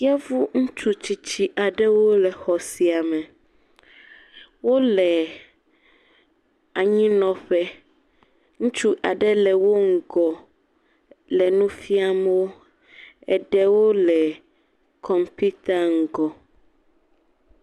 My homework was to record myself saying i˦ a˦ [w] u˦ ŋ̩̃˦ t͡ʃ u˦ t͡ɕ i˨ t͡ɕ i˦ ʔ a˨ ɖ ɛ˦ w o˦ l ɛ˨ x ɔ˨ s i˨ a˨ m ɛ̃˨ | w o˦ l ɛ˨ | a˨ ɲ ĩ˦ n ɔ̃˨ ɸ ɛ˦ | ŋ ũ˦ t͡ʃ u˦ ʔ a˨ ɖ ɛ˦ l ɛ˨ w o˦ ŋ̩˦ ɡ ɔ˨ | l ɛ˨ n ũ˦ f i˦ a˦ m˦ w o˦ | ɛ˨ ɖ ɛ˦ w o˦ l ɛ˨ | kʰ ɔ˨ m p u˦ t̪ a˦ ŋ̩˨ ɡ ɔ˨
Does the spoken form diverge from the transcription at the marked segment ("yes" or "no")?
yes